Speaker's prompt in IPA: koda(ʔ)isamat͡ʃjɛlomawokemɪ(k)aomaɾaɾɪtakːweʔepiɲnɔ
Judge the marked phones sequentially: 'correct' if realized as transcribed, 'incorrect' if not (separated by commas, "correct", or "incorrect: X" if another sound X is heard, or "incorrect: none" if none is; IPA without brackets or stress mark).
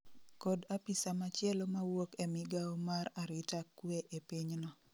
incorrect: p, incorrect: ɡ